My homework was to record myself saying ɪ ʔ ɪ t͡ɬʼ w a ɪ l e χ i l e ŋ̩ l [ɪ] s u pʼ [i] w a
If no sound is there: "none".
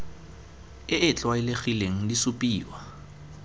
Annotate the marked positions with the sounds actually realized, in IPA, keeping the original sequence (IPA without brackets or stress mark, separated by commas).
i, iː